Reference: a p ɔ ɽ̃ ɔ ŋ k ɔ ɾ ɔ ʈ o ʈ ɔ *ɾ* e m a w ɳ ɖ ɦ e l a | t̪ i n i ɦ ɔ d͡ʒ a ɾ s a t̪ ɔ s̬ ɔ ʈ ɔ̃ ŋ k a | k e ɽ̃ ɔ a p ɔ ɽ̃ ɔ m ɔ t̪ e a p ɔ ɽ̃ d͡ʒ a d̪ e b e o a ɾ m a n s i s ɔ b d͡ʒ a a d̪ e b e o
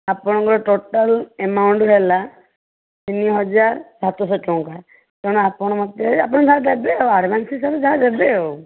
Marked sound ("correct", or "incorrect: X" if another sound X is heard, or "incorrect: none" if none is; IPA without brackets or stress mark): incorrect: l